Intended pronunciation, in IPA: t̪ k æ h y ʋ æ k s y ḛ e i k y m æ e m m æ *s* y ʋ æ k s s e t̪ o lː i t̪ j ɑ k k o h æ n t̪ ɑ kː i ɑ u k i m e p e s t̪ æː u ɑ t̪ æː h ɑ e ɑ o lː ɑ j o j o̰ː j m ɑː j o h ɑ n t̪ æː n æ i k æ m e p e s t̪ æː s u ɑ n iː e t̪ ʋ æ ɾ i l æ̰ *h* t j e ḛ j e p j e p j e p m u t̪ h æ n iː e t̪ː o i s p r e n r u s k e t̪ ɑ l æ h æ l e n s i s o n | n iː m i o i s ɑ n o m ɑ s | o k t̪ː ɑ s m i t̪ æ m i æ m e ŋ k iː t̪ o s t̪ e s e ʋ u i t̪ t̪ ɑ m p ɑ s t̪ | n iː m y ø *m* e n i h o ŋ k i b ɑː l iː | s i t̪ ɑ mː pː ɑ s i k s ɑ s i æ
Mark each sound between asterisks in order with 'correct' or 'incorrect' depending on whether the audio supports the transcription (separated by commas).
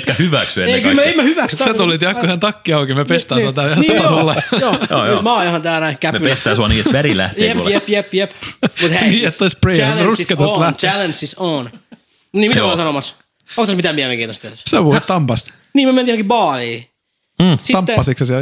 incorrect, correct, correct